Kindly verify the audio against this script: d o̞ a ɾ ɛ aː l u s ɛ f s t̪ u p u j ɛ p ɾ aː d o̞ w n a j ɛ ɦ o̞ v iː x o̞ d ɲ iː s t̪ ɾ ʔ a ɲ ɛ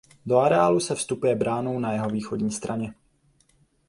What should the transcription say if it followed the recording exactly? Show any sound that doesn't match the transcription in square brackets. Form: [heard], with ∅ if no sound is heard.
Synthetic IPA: d o̞ a ɾ ɛ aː l u s ɛ f s t̪ u p u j ɛ [b] ɾ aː [n] o̞ w n a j ɛ ɦ o̞ v iː x o̞ d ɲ iː s t̪ ɾ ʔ a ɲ ɛ

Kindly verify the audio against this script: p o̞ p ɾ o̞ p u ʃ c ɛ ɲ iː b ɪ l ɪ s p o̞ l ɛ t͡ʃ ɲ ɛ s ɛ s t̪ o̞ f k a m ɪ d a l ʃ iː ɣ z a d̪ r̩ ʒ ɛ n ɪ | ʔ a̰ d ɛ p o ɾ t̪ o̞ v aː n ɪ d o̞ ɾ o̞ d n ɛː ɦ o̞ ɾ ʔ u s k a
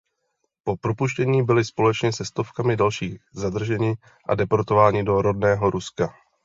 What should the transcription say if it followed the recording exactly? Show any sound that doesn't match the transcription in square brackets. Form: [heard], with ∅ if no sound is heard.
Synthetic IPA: p o̞ p ɾ o̞ p u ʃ c ɛ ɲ iː b ɪ l ɪ s p o̞ l ɛ t͡ʃ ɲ ɛ s ɛ s t̪ o̞ f k a m ɪ d a l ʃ iː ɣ z a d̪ r̩ ʒ ɛ [ɲ] ɪ | ʔ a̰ d ɛ p o ɾ t̪ o̞ v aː [ɲ] ɪ d o̞ ɾ o̞ d n ɛː ɦ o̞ ɾ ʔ u s k a

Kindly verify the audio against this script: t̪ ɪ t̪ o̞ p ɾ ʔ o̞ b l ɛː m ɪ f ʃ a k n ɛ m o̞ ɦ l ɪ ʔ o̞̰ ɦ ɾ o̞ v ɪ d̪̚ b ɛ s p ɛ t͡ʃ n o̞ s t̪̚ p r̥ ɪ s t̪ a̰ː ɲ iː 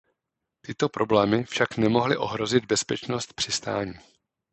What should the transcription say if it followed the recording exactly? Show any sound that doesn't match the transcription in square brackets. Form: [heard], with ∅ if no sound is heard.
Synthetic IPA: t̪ ɪ t̪ o̞ p ɾ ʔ o̞ b l ɛː m ɪ f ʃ a k n ɛ m o̞ ɦ l ɪ ʔ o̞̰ ɦ ɾ o̞ [z] ɪ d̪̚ b ɛ s p ɛ t͡ʃ n o̞ s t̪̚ p r̥ ɪ s t̪ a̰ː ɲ iː

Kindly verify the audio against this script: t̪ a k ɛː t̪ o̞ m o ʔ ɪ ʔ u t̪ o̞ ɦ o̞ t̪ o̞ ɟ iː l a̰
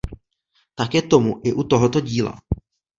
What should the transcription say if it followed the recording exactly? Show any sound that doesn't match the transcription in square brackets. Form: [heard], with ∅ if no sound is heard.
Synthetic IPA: t̪ a k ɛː t̪ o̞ m [u] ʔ ɪ ʔ u t̪ o̞ ɦ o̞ t̪ o̞ ɟ iː l a̰

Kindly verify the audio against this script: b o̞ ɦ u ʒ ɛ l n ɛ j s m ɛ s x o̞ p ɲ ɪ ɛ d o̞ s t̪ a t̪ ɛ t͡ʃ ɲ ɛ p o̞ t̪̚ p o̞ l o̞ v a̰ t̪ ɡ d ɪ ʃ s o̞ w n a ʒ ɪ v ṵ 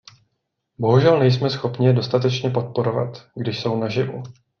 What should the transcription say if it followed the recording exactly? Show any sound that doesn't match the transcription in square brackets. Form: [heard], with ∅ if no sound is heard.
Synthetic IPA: b o̞ ɦ u ʒ ɛ l n ɛ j s m ɛ s x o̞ p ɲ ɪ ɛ d o̞ s t̪ a t̪ ɛ t͡ʃ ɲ ɛ p o̞ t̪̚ p o̞ [ɾ] o̞ v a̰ t̪ ɡ d ɪ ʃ s o̞ w n a ʒ ɪ v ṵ

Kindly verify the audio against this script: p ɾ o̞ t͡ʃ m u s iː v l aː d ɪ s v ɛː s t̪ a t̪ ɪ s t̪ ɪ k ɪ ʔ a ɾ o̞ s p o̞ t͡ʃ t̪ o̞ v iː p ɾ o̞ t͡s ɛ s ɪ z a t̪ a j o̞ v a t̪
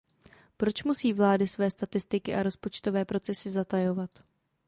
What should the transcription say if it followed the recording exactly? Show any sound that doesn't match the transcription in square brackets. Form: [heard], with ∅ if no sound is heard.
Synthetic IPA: p ɾ o̞ t͡ʃ m u s iː v l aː d ɪ s v ɛː s t̪ a t̪ ɪ s t̪ ɪ k ɪ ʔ a ɾ o̞ s p o̞ t͡ʃ t̪ o̞ v [ɛː] p ɾ o̞ t͡s ɛ s ɪ z a t̪ a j o̞ v a t̪

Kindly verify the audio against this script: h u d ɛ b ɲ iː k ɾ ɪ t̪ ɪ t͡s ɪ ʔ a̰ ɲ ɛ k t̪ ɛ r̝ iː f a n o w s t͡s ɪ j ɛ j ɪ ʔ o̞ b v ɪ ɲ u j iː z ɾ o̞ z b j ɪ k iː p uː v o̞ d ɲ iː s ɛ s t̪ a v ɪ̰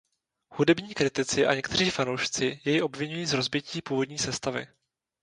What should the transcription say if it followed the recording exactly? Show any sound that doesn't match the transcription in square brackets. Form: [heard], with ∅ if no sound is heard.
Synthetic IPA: h u d ɛ b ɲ iː k ɾ ɪ t̪ ɪ t͡s ɪ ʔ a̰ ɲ ɛ k t̪ ɛ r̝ iː f a n o w [ʃ] t͡s ɪ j ɛ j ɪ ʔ o̞ b v ɪ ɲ u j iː z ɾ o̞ z b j ɪ [c] iː p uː v o̞ d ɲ iː s ɛ s t̪ a v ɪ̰

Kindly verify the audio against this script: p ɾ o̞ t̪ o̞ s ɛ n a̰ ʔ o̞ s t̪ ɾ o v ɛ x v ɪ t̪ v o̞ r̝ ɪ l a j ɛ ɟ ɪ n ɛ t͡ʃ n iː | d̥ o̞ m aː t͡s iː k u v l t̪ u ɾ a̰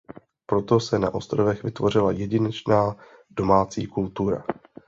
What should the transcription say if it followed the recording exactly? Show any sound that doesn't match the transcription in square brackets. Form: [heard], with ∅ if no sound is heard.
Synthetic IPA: p ɾ o̞ t̪ o̞ s ɛ n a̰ ʔ o̞ s t̪ ɾ o v ɛ x v ɪ t̪ v o̞ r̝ ɪ l a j ɛ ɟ ɪ n ɛ t͡ʃ n [aː] | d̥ o̞ m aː t͡s iː k u [∅] l t̪ u ɾ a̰

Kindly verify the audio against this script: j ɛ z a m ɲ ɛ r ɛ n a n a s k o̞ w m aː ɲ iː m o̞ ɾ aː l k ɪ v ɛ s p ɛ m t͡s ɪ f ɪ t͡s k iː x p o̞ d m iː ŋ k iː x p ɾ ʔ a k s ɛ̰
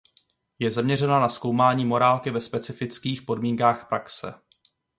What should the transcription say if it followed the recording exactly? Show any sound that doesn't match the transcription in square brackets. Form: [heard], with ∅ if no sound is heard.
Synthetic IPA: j ɛ z a m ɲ ɛ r ɛ n a n a s k o̞ w m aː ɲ iː m o̞ ɾ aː l k ɪ v ɛ s p ɛ [∅] t͡s ɪ f ɪ t͡s k iː x p o̞ d m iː ŋ k [aː] x p ɾ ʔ a k s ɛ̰

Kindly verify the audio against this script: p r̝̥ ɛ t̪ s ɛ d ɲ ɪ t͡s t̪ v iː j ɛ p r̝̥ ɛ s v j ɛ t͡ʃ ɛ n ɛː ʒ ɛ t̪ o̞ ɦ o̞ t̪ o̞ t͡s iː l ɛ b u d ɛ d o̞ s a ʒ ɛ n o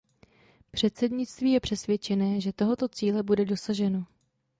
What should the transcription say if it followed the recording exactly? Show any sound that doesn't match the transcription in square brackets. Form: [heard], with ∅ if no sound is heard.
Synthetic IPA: p r̝̥ ɛ t̪ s ɛ d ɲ ɪ t͡s t̪ v iː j ɛ p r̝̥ ɛ s v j ɛ t͡ʃ ɛ n ɛː ʒ ɛ t̪ o̞ ɦ o̞ t̪ o̞ t͡s iː l ɛ b u d ɛ d o̞ s a ʒ ɛ n o

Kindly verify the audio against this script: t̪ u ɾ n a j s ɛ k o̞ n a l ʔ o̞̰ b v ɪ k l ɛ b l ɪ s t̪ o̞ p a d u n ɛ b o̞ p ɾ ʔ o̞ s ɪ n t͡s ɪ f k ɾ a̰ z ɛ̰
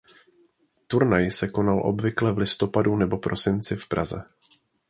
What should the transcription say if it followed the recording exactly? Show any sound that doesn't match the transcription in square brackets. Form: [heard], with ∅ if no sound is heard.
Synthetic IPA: t̪ u ɾ n a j s ɛ k o̞ n a l ʔ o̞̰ b v ɪ k l ɛ [v] l ɪ s t̪ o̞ p a d u n ɛ b o̞ p ɾ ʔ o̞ s ɪ n t͡s ɪ f [p] ɾ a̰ z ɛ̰

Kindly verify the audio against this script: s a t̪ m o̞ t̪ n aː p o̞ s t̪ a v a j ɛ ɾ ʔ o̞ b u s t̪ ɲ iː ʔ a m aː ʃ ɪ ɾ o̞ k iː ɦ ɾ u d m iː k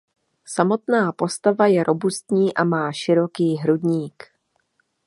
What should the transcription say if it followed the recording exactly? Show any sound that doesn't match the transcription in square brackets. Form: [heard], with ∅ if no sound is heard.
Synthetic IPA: s a [∅] m o̞ t̪ n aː p o̞ s t̪ a v a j ɛ ɾ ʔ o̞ b u s t̪ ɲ iː ʔ a m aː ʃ ɪ ɾ o̞ k iː ɦ ɾ u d [ɲ] iː k

